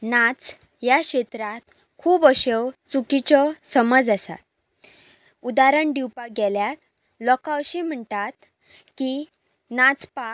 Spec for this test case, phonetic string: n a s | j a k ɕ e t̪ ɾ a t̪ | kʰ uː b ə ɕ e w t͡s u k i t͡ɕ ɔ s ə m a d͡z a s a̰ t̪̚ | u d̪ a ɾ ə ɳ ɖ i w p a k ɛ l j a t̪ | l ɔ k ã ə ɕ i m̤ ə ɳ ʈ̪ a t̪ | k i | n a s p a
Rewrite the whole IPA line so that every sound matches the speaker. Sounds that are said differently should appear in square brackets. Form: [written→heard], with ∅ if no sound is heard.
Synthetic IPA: n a [s→t͡s] | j a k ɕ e t̪ ɾ a t̪ | kʰ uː b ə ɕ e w t͡s u k i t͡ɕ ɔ s ə m [a→ə] d͡z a s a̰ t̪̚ | u d̪ a ɾ ə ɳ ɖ i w p a [k→ɡ] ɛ l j a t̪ | l ɔ k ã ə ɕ i m̤ ə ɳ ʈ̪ a t̪ | k i | n a [s→t͡s] p a